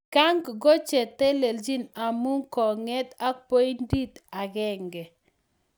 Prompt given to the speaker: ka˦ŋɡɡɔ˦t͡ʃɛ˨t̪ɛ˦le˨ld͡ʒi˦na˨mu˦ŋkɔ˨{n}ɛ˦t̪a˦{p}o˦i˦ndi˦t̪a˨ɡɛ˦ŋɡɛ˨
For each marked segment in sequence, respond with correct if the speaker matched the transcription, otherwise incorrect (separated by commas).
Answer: incorrect, correct